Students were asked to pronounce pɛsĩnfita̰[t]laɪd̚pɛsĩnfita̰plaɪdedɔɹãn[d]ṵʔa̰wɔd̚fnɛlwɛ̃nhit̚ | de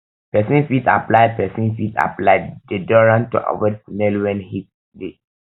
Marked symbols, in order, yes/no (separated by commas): no, no